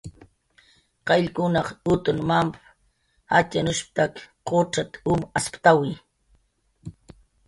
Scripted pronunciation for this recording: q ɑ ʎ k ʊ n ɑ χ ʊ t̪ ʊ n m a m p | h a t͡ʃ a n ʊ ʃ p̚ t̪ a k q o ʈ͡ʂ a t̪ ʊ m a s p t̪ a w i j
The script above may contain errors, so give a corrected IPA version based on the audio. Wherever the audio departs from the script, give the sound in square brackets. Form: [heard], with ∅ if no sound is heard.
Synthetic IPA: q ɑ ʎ k ʊ n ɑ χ ʊ t̪ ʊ n m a m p | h a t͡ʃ a n ʊ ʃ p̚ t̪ a k q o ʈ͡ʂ a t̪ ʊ m a s p t̪ a w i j